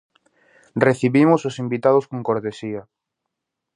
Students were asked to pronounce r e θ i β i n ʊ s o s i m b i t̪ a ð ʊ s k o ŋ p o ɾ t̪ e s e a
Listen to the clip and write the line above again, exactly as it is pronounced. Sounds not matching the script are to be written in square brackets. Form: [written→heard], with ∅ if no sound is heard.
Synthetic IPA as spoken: r e θ i β i [n→m] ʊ s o s i m b i t̪ a ð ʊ s k o ŋ [p→k] o ɾ t̪ e s [e→i] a